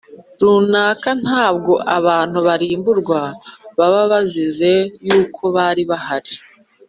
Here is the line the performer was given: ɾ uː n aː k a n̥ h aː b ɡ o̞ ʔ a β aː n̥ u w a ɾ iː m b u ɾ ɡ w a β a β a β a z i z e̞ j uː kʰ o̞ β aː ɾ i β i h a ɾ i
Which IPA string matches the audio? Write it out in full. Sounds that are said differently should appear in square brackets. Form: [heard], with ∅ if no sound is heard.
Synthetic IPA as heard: ɾ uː n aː k a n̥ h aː b ɡ o̞ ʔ a β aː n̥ u [β] a ɾ iː m b u ɾ ɡ w a β a β a β a z i z e̞ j uː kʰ o̞ β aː ɾ i β [a] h a ɾ i